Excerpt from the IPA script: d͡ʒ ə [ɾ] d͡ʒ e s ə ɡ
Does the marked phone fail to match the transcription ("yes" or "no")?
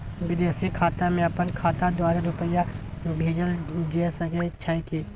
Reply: yes